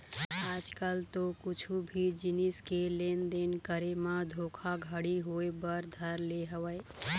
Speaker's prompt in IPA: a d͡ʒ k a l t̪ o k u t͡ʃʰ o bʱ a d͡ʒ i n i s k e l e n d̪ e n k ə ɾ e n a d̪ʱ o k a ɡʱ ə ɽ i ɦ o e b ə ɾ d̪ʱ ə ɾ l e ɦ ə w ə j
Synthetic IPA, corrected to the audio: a d͡ʒ k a l t̪ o k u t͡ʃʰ u bʱ i d͡ʒ i n i s k e l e n d̪ e n k ə ɾ e m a d̪ʱ o kʰ a ɡʱ ə ɽ i ɦ o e b ə ɾ d̪ʱ ə ɾ l e ɦ ə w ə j